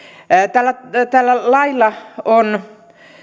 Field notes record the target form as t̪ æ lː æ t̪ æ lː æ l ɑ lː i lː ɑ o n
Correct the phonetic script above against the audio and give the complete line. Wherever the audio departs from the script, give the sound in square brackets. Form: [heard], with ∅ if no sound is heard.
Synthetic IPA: t̪ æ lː æ t̪ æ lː æ l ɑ [∅] i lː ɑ o n